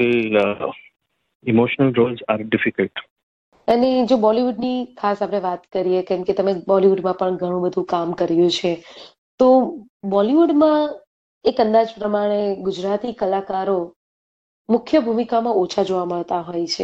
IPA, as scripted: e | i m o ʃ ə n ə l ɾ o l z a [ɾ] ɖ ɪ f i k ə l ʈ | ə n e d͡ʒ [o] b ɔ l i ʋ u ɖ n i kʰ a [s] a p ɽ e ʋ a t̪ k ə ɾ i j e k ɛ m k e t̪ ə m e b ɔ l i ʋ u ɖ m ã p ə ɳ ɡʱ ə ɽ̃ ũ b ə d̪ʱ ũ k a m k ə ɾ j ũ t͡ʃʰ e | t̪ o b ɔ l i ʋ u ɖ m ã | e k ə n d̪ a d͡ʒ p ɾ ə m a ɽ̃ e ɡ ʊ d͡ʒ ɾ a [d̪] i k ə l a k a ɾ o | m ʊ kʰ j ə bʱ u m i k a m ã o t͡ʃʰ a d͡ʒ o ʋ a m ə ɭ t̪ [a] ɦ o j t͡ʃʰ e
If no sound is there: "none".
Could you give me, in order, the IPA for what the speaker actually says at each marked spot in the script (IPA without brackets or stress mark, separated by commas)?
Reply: ɾ, o, s, t̪, a